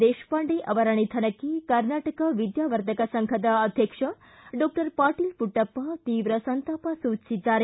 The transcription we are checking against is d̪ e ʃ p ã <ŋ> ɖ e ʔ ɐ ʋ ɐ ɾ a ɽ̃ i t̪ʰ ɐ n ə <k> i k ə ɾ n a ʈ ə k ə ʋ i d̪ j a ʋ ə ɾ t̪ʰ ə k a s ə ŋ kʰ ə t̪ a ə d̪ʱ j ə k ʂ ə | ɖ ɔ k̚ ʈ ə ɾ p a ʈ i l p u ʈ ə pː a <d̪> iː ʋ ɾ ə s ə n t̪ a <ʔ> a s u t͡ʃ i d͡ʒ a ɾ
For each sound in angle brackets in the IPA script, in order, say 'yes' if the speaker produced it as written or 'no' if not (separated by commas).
no, yes, no, no